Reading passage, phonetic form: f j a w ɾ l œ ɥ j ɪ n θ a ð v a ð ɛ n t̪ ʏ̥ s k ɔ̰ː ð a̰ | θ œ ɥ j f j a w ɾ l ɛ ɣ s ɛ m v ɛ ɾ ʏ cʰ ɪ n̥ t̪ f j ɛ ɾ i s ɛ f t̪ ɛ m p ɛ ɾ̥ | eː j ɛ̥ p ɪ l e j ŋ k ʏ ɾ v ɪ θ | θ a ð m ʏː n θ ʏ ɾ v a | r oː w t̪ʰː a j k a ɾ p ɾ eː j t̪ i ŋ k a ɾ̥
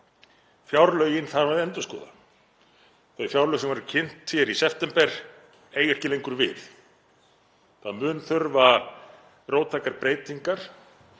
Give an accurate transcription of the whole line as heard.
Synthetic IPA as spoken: f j a w ɾ l œ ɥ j ɪ n θ a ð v a ð ɛ n t̪ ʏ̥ s k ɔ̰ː ð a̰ | θ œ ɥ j f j a w ɾ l œ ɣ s ɛ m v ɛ ɾ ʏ cʰ ɪ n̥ t̪ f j ɛ ɾ i s ɛ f t̪ ɛ m p ɛ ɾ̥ | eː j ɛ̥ c ɪ l e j ŋ k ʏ ɾ v ɪ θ | θ a ð m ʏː n θ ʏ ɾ v a | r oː w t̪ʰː a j k a ɾ p ɾ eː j t̪ i ŋ k a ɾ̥